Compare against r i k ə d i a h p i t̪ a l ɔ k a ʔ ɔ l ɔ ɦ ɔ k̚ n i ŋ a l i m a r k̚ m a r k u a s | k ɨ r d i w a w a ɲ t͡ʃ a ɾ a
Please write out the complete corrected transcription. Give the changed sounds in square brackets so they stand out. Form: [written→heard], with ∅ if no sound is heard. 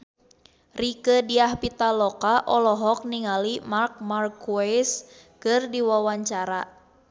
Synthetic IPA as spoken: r i k ə d i a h p i t̪ a l ɔ k a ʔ ɔ l ɔ ɦ ɔ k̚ n i ŋ a l i m a r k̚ m a r k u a s | k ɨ r d i w a w a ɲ t͡ʃ a ɾ a